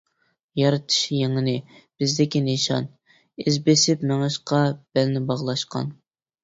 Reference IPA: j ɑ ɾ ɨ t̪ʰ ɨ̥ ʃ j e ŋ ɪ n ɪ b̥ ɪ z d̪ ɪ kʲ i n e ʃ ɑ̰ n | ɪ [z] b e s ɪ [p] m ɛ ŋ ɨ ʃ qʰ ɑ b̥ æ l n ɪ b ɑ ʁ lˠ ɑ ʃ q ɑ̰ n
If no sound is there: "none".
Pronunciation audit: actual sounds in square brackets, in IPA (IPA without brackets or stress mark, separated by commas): z, p